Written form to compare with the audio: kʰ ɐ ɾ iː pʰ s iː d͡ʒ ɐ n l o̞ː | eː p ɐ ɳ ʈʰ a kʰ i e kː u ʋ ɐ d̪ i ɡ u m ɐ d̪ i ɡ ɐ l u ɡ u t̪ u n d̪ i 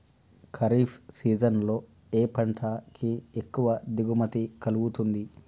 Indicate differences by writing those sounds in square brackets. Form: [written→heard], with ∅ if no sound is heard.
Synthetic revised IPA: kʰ ɐ ɾ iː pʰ s iː d͡ʒ ɐ n l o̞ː | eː p ɐ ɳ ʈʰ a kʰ i e kː u ʋ ɐ d̪ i ɡ u m ɐ [d̪→t̪] i [ɡ→k] ɐ l u ɡ u t̪ u n d̪ i